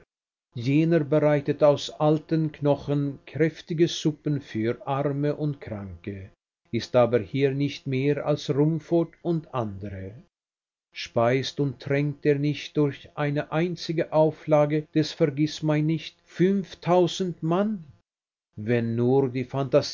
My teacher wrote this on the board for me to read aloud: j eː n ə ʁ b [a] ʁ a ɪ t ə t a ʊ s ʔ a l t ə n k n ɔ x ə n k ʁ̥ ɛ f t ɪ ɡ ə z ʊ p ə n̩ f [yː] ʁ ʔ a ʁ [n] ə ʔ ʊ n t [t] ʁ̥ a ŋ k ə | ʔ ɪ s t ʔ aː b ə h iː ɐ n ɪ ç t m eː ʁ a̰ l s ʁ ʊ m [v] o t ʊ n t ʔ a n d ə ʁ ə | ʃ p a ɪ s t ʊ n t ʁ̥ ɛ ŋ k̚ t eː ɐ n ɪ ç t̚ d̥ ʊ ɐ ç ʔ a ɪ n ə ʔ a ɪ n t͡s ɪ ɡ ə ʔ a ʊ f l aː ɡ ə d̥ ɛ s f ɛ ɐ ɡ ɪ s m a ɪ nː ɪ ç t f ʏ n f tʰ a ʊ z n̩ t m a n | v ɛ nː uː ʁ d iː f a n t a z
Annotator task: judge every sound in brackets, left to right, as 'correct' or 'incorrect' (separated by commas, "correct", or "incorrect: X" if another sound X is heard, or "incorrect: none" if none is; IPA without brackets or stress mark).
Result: incorrect: ə, correct, incorrect: m, incorrect: k, incorrect: f